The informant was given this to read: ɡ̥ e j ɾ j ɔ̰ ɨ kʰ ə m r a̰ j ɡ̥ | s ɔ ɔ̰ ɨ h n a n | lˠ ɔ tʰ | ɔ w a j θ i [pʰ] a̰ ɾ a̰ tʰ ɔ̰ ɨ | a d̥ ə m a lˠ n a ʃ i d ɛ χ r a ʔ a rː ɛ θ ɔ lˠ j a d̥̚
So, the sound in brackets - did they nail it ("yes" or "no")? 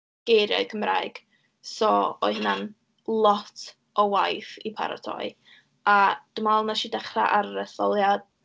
yes